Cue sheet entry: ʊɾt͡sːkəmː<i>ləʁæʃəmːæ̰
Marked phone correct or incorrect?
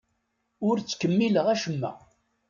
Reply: correct